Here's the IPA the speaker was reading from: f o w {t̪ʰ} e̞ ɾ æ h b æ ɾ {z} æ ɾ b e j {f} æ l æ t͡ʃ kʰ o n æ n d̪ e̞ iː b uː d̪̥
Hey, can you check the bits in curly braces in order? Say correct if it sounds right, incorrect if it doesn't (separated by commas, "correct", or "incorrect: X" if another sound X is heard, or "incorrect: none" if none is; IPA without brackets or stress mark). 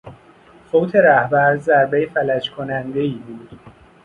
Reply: correct, correct, correct